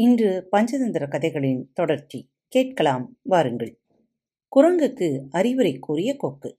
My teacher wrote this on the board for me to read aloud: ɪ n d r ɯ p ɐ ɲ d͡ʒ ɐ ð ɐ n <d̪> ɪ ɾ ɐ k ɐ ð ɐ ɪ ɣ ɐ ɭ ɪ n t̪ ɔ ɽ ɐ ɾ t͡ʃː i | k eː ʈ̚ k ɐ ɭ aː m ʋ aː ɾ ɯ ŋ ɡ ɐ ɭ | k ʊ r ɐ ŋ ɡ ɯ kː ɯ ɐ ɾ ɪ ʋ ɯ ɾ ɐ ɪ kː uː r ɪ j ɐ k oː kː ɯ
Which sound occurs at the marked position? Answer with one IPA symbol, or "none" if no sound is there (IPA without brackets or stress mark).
d̪